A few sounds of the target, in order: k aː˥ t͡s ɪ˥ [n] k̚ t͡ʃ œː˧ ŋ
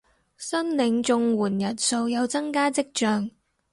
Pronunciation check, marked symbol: incorrect: none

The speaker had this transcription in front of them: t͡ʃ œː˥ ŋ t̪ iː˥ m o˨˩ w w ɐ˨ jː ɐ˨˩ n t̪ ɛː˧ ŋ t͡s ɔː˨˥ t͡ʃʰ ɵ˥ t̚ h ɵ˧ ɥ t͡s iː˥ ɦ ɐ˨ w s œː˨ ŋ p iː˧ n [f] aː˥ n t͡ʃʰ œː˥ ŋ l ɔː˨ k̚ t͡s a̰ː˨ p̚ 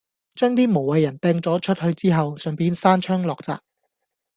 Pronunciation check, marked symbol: incorrect: s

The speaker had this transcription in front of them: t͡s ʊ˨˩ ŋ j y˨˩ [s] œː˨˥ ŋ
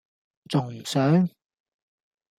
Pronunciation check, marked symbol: correct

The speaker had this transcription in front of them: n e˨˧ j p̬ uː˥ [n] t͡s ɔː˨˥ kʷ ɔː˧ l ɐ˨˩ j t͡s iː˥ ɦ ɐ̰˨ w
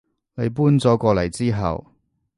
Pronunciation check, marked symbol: correct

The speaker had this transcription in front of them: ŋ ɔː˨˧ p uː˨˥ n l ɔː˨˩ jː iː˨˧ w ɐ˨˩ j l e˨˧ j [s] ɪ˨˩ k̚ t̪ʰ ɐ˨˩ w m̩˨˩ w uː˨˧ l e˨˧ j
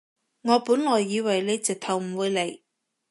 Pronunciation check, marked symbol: incorrect: t͡s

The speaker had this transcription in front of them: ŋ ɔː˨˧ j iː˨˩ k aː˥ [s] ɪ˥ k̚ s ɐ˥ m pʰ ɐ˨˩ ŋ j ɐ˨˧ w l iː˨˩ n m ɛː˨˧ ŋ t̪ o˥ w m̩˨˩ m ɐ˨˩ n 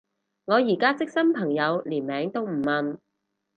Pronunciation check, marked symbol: incorrect: t͡s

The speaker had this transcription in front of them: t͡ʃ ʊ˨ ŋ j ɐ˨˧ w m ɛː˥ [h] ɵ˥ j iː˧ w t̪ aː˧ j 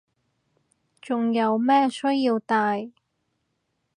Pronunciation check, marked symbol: incorrect: s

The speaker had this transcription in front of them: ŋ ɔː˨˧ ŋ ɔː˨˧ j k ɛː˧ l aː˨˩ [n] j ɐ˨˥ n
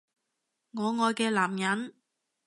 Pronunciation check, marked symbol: incorrect: m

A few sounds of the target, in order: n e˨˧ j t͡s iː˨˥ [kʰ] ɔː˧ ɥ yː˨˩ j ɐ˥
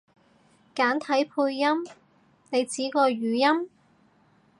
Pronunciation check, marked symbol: incorrect: k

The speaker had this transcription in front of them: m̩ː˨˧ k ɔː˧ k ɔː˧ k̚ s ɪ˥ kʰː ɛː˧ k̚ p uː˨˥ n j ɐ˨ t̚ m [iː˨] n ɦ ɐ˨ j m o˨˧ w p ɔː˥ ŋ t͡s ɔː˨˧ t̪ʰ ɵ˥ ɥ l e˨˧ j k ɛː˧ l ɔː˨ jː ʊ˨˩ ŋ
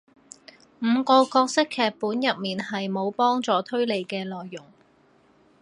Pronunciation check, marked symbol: correct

